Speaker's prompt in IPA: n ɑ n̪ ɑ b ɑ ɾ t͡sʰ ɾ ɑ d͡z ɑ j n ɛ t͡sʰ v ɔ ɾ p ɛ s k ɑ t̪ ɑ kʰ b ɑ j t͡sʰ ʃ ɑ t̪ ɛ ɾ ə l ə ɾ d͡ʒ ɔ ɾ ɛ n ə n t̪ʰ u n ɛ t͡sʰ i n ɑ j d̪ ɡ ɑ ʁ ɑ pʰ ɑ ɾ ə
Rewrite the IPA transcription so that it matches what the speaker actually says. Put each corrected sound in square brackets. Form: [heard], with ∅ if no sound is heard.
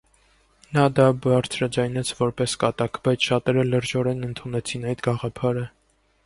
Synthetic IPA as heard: n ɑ [d̪] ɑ b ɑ ɾ t͡sʰ ɾ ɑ d͡z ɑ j n ɛ t͡sʰ v ɔ ɾ p ɛ s k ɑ t̪ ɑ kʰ b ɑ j t͡sʰ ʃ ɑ t̪ ɛ ɾ ə l ə ɾ d͡ʒ ɔ ɾ ɛ n ə n t̪ʰ u n ɛ t͡sʰ i n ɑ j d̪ ɡ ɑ ʁ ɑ pʰ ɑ ɾ ə